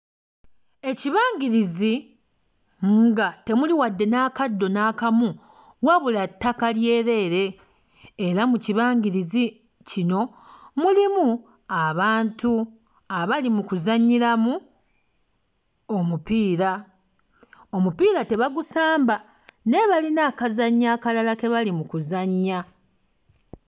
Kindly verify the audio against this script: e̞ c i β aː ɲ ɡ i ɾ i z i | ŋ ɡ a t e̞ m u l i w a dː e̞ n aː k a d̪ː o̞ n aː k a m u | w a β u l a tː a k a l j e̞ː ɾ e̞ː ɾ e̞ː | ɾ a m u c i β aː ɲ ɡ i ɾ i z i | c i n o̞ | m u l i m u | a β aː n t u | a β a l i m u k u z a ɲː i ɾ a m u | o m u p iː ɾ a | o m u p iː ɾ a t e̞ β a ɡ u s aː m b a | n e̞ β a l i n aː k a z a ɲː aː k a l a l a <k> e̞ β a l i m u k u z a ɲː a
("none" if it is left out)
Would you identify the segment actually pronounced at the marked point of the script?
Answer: k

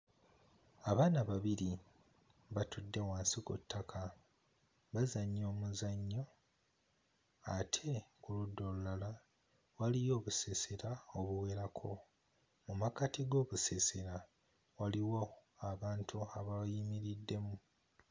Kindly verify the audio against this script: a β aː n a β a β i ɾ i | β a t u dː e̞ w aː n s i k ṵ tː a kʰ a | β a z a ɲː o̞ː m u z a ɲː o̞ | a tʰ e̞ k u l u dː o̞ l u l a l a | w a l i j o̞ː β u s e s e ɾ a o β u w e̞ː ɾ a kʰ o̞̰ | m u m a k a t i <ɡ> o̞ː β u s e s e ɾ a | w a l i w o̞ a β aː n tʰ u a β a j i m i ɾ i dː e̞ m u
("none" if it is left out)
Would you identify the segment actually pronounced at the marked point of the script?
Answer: ɡ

